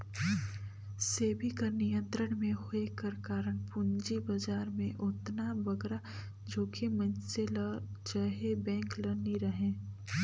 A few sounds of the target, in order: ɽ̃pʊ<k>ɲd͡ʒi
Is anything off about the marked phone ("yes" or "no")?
yes